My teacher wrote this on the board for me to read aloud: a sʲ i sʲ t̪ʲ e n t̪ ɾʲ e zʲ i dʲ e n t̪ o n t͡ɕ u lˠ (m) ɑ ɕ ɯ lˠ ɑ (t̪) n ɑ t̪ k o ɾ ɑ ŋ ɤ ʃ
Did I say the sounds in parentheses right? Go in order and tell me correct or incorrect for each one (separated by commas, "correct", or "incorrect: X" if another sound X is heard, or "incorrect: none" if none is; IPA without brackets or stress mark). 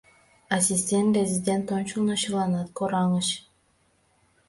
incorrect: n, incorrect: none